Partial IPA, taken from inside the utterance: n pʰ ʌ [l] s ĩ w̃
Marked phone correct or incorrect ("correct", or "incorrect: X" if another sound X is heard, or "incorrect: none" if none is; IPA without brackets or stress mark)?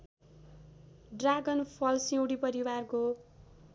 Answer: correct